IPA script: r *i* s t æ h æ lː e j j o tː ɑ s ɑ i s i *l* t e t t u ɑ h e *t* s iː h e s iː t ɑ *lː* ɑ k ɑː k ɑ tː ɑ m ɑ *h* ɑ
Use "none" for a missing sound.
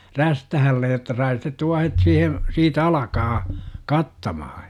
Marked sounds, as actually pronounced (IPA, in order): æ, none, t, l, h

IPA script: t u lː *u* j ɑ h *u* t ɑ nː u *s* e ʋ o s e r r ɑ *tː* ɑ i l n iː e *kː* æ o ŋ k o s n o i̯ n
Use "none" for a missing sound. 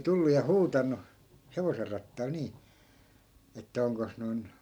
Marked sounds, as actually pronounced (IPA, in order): u, uː, h, tː, tː

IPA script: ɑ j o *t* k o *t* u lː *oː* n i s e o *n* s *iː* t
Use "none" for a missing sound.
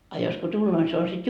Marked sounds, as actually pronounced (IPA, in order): s, t, oː, n, i

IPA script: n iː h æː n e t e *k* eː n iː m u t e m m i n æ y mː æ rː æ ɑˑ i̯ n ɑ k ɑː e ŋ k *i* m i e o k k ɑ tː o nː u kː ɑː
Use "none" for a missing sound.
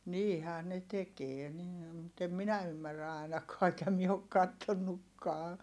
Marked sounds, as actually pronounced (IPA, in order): k, æ

